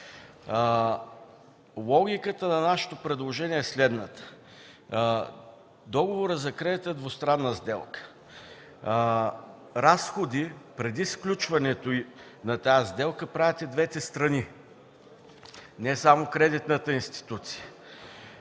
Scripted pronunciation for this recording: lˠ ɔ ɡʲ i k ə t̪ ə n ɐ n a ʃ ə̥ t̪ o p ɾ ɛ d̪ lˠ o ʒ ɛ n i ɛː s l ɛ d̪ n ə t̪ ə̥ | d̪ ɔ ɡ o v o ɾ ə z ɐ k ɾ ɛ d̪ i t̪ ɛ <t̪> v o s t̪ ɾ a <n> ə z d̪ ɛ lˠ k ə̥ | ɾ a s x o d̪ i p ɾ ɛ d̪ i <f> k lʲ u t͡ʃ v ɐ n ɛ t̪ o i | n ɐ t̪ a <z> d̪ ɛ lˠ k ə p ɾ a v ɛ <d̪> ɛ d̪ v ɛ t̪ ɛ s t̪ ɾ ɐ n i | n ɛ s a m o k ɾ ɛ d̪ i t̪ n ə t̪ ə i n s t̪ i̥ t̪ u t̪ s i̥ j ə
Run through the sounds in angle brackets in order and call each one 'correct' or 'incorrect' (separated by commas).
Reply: incorrect, incorrect, incorrect, correct, incorrect